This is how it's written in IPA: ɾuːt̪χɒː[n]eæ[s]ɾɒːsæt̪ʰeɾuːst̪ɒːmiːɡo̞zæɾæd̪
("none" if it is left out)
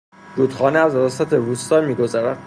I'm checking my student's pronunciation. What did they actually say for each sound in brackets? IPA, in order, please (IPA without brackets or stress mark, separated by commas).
n, z